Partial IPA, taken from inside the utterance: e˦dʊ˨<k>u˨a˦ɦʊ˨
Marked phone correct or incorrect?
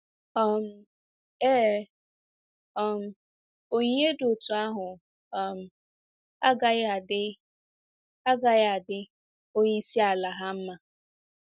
incorrect